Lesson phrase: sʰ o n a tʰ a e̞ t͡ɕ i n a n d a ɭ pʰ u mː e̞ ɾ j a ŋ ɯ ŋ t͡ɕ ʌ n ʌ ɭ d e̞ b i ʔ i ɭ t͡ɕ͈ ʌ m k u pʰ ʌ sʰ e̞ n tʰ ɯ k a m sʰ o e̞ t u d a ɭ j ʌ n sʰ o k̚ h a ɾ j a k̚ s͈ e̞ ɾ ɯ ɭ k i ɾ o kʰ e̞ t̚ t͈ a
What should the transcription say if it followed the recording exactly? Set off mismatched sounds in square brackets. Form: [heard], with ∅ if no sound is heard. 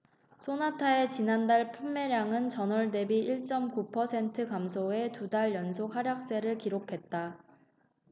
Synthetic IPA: sʰ o n a tʰ a e̞ t͡ɕ i n a n d a ɭ pʰ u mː e̞ ɾ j a ŋ ɯ [n] t͡ɕ ʌ n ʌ ɭ d e̞ b i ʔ i ɭ t͡ɕ͈ ʌ m k u pʰ ʌ sʰ e̞ n tʰ ɯ k a m sʰ o e̞ t u d a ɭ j ʌ n sʰ o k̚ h a ɾ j a k̚ s͈ e̞ ɾ ɯ ɭ k i ɾ o kʰ e̞ t̚ t͈ a